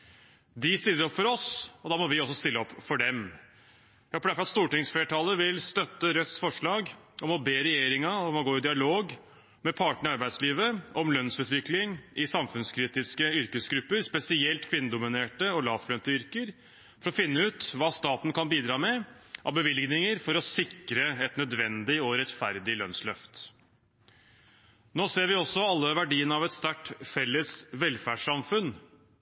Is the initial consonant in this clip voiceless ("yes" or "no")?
no